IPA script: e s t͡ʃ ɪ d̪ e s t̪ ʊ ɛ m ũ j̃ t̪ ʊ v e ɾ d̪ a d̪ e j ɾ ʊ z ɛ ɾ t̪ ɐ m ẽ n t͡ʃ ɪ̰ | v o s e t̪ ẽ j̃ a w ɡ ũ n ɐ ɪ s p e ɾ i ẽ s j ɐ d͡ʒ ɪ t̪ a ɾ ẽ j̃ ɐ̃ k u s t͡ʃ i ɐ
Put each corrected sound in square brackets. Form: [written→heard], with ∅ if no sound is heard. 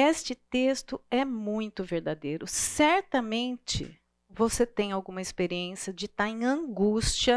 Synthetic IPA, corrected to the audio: e s t͡ʃ ɪ [d̪→t̪] e s t̪ ʊ ɛ m ũ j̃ t̪ ʊ v e ɾ d̪ a d̪ e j ɾ ʊ [z→s] ɛ ɾ t̪ ɐ m ẽ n t͡ʃ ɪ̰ | v o s e t̪ ẽ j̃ a w ɡ ũ [n→m] ɐ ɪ s p e ɾ i ẽ s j ɐ d͡ʒ ɪ t̪ a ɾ ẽ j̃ ɐ̃ [k→ɡ] u s t͡ʃ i ɐ